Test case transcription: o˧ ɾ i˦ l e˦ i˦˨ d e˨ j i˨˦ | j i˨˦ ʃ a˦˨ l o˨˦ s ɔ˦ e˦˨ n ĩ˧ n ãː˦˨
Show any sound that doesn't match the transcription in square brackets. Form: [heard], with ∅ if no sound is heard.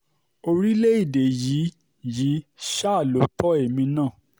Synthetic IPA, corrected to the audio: o˧ ɾ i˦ l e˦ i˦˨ d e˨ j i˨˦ | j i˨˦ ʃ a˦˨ l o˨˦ [t] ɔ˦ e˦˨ [m] ĩ˧ n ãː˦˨